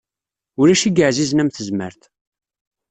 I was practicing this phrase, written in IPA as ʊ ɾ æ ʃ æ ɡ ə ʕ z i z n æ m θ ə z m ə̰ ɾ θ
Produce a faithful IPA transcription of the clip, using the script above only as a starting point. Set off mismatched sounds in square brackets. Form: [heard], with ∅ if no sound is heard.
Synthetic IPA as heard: ʊ ɾ æ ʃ [i] ɡ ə ʕ z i z n æ m θ ə z m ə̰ ɾ θ

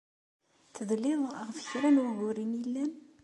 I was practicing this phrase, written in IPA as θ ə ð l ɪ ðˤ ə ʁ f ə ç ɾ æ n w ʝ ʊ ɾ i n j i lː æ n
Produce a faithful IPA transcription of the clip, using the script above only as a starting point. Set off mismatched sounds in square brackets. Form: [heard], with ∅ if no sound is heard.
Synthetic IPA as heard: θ ə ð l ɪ ðˤ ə ʁ f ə ç ɾ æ n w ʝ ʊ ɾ i n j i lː æ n

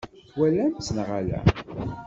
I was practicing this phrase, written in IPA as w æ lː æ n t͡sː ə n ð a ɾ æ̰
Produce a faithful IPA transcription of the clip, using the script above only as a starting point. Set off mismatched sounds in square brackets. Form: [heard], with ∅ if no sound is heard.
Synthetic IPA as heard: w æ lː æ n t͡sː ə n [ʁ] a [l] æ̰

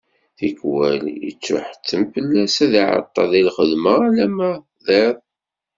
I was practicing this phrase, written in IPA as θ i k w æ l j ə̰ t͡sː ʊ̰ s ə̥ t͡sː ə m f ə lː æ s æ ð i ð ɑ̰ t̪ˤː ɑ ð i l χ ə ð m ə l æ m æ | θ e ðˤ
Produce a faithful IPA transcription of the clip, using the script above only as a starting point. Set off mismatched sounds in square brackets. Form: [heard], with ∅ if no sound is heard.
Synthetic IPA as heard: θ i k w æ l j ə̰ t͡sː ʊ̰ [ħ] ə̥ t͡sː ə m f ə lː æ s æ ð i [ʕ] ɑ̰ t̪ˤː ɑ ð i l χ ə ð m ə l æ m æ | [ð] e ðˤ

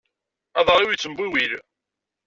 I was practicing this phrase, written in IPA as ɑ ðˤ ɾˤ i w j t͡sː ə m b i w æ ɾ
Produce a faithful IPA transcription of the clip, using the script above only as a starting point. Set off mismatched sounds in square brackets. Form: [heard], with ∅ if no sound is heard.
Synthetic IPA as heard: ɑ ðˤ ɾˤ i w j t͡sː ə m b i w [i] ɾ

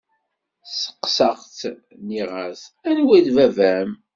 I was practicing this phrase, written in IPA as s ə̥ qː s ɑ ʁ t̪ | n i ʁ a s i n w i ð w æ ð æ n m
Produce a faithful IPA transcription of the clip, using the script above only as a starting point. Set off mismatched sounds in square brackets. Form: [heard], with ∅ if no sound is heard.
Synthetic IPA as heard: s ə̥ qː s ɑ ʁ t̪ | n i ʁ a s [æ] n w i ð [v] æ [v] æ [∅] m

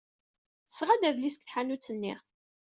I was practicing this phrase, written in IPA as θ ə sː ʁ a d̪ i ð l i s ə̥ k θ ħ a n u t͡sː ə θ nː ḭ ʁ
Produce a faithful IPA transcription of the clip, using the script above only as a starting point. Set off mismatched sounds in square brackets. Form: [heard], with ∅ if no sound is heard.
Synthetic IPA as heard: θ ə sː ʁ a d̪ [æ] ð l i s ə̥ k θ ħ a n u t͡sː ə [∅] nː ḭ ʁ

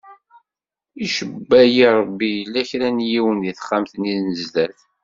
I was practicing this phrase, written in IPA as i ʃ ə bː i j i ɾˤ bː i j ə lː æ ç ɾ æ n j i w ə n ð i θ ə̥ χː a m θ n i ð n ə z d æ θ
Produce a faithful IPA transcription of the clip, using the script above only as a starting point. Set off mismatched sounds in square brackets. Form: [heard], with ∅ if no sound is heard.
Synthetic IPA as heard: i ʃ ə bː [æ] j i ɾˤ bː i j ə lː æ ç ɾ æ n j i w ə n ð i θ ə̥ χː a m θ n i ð n ə z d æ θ

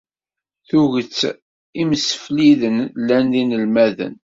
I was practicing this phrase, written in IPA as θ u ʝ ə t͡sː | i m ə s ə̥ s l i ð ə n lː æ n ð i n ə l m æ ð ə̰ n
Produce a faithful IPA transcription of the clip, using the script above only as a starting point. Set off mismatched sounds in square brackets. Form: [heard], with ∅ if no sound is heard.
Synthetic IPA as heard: θ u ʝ ə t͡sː | i m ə s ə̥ [f] l i ð ə n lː æ n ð i n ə l m æ ð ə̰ n

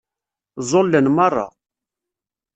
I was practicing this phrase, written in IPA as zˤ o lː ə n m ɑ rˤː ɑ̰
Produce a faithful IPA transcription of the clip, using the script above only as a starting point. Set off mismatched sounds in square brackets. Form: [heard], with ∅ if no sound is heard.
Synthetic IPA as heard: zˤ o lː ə n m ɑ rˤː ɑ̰

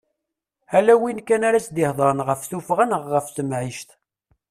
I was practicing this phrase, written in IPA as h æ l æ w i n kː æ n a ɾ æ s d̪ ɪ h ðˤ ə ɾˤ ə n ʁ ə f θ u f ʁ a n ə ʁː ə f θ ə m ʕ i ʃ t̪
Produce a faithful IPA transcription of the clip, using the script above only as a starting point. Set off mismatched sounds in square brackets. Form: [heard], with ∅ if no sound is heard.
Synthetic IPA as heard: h æ l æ w i n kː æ n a ɾ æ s d̪ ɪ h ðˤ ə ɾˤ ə n ʁ ə f θ u f ʁ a n ə ʁː ə f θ ə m ʕ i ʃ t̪

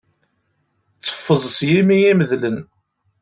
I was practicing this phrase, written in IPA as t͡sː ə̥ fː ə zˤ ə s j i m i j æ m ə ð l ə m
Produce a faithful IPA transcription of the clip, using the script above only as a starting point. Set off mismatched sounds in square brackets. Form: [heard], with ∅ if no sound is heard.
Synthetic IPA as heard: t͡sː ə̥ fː ə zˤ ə s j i m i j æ m ə ð l ə [n]

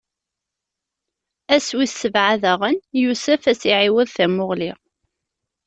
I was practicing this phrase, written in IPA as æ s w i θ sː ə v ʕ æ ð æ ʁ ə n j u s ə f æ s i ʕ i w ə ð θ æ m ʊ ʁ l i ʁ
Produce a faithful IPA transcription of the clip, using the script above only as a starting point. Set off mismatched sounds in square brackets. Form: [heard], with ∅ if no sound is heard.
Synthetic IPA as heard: æ s w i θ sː ə v ʕ [a] ð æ ʁ ə n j u s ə f æ s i ʕ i w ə ð θ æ m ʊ ʁ l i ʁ

